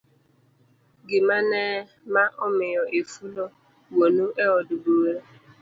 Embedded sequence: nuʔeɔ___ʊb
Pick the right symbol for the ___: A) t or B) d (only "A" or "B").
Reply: B